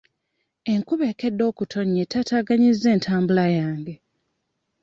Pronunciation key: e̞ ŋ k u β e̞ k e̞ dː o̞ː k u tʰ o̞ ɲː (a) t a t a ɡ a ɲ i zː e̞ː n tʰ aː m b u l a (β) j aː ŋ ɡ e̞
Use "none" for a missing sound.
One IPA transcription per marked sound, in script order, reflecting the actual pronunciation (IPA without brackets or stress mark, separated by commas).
e, none